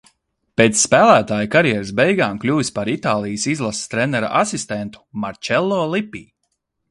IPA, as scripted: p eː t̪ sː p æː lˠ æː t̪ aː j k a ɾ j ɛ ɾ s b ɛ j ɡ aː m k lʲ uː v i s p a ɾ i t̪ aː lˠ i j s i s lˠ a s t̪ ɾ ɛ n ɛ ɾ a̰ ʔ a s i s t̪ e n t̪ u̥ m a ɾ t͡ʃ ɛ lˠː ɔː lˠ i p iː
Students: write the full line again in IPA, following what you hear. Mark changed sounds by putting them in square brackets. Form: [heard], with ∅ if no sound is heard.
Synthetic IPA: p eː t̪ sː p æː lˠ æː t̪ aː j k a ɾ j ɛ ɾ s b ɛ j ɡ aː m k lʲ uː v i s p a ɾ i t̪ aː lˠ i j s i [z] lˠ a s t̪ ɾ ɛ n ɛ ɾ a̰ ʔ a s i s t̪ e n t̪ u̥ m a ɾ t͡ʃ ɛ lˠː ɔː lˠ i p iː

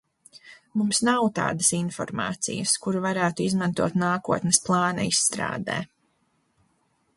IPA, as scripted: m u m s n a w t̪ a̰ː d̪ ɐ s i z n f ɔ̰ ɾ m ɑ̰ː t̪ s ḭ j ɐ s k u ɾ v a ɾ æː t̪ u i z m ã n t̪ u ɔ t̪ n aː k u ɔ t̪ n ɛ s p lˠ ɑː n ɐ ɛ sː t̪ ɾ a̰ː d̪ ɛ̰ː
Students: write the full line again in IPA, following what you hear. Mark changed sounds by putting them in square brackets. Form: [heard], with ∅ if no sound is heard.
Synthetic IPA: m u m s n a w t̪ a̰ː d̪ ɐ s i [∅] n f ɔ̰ ɾ m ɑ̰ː t̪ s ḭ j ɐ s k u ɾ v a ɾ æː t̪ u i z m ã n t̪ u ɔ t̪ n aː k u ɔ t̪ n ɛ s p lˠ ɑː n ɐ [i] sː t̪ ɾ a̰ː d̪ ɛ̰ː

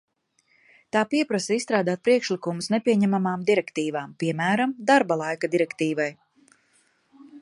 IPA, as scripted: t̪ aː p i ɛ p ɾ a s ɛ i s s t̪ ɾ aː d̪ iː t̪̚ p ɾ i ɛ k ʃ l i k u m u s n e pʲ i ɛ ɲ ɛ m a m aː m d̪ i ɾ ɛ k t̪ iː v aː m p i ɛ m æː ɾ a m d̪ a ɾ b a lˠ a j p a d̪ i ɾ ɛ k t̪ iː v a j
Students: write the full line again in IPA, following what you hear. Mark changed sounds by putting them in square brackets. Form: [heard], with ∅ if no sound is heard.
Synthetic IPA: t̪ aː p i ɛ p ɾ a s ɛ i s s t̪ ɾ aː d̪ [aː] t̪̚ p ɾ i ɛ k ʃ l i k u m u s n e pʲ i ɛ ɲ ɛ m a m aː m d̪ i ɾ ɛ k t̪ iː v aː m p i ɛ m æː ɾ a m d̪ a ɾ b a lˠ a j [k] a d̪ i ɾ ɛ k t̪ iː v a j

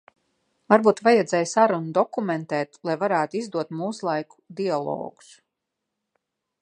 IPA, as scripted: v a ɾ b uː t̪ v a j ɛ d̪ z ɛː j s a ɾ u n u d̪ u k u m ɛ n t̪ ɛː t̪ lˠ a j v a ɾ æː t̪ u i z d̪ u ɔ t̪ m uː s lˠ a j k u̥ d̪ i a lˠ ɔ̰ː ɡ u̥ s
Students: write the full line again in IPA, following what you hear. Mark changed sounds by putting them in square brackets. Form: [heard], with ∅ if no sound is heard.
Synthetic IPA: v a ɾ b uː t̪ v a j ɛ d̪ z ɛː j s a ɾ u n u d̪ [ɔ] k u m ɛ n t̪ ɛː t̪ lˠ a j v a ɾ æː t̪ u i z d̪ u ɔ t̪ m uː s lˠ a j k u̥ d̪ i a lˠ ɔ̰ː ɡ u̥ s

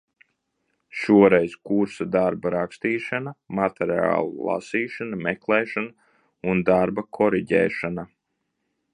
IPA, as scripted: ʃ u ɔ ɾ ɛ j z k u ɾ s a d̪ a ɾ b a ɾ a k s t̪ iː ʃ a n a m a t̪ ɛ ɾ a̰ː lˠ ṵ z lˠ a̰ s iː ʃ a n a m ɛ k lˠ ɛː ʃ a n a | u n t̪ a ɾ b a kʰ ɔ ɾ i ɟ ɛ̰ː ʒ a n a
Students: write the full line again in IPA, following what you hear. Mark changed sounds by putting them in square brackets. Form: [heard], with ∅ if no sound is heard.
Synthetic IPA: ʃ u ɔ ɾ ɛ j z k u ɾ s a d̪ a ɾ b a ɾ a k s t̪ iː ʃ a n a m a t̪ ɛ ɾ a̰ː lˠ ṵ [∅] lˠ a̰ s iː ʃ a n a m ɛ k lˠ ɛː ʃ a n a | u n [d̪] a ɾ b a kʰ ɔ ɾ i ɟ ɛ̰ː [ʃ] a n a

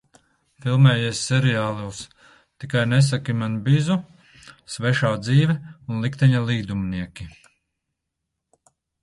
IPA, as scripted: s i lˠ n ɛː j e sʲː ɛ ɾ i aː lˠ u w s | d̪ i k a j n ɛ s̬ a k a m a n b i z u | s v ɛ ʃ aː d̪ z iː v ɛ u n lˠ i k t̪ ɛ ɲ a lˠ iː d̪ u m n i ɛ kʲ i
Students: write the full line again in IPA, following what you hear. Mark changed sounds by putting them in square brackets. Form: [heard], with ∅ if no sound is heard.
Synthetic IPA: [f] i lˠ [m] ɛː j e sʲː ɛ ɾ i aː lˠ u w s | [t̪] i k a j n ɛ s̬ a k [i] m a n b i z u | s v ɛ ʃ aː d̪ z iː v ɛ u n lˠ i k t̪ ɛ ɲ a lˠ iː d̪ u m n i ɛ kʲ i

